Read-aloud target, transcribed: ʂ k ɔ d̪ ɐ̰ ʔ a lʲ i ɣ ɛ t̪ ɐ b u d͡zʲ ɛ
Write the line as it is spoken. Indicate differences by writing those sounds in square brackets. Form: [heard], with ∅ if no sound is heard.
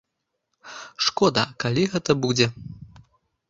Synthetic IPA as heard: ʂ k ɔ d̪ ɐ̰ [k] a lʲ i ɣ ɛ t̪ ɐ b u d͡zʲ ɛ